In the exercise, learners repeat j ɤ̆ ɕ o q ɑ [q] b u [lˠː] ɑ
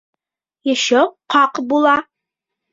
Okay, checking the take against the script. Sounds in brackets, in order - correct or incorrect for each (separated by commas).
correct, incorrect